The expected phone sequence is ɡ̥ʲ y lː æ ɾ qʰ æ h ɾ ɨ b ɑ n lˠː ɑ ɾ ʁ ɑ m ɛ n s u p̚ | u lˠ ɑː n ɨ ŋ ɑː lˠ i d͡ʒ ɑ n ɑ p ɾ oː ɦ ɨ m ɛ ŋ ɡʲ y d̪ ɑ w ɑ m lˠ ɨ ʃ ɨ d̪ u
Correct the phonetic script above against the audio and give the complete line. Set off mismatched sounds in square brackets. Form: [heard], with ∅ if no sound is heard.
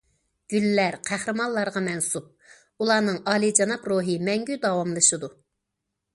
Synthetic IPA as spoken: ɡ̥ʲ y lː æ ɾ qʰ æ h ɾ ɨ [m] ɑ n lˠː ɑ ɾ ʁ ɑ m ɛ n s u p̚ | u lˠ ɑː n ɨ ŋ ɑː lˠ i d͡ʒ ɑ n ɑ p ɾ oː ɦ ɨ m ɛ ŋ ɡʲ y d̪ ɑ w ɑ m lˠ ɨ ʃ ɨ d̪ u